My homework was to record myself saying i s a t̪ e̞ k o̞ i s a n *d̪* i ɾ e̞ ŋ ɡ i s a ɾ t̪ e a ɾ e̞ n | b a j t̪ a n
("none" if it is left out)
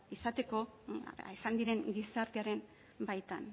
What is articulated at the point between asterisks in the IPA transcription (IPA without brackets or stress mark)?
d̪